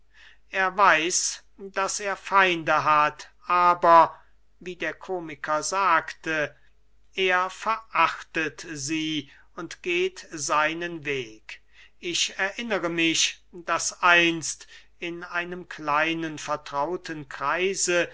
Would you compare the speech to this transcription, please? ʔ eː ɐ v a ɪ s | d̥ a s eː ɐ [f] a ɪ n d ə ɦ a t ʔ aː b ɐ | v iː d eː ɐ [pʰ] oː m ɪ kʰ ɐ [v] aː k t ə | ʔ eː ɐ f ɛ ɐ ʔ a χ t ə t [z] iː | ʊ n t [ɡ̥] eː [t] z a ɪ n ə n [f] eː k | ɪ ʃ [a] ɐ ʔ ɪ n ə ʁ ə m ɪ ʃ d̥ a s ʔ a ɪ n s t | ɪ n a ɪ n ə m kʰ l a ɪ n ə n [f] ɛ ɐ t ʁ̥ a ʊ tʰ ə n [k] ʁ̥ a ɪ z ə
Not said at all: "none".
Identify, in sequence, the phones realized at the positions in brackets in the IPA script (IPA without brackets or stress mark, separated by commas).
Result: f, kʰ, z, z, ɡ̥, t, v, ɛ, f, k